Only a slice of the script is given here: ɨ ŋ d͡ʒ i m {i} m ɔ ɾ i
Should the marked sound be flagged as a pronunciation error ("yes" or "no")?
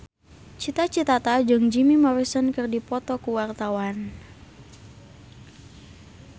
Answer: no